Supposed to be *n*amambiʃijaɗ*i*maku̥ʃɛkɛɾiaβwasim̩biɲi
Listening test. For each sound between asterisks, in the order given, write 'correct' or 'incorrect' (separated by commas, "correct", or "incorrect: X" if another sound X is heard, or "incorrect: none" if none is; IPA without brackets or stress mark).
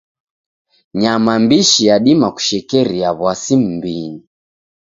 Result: incorrect: ɲ, correct